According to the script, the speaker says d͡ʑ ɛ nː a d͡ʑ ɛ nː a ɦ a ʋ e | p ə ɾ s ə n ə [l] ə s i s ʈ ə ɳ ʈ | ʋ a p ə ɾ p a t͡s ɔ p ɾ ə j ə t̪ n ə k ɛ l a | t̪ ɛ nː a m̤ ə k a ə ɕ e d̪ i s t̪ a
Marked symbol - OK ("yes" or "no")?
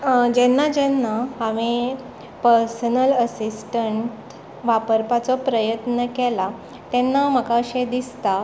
yes